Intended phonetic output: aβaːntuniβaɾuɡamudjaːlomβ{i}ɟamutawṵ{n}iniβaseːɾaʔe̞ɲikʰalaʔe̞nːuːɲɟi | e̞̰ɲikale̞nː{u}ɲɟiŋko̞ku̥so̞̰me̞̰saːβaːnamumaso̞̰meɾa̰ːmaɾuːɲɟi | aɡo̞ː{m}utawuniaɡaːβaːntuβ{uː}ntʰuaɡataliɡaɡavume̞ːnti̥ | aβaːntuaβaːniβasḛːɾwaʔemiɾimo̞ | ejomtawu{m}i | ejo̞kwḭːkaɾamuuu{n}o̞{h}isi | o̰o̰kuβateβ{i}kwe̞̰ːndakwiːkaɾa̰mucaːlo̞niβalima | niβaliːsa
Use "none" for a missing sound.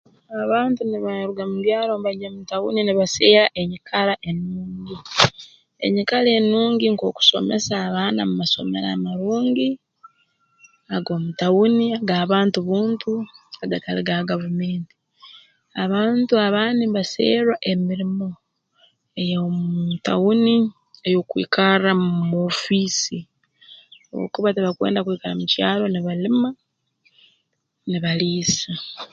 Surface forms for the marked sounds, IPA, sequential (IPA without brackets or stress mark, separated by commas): a, n, uː, m, uː, n, m, f, a